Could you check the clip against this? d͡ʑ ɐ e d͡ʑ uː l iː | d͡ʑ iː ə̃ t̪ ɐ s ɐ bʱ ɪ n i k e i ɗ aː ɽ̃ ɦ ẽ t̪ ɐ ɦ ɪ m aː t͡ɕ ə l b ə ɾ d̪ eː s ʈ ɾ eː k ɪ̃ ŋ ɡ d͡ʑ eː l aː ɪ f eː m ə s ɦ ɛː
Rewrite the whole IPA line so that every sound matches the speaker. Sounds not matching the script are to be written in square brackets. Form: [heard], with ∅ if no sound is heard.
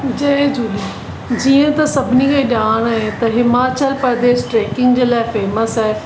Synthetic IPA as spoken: d͡ʑ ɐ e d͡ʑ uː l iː | d͡ʑ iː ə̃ t̪ ɐ s ɐ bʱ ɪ n i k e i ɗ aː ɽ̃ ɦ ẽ t̪ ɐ ɦ ɪ m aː t͡ɕ ə l [p] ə ɾ d̪ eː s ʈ ɾ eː k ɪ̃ ŋ ɡ d͡ʑ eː l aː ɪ f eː m ə s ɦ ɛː